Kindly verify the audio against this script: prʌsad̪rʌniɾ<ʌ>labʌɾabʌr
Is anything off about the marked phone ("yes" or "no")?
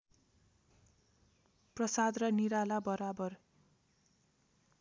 yes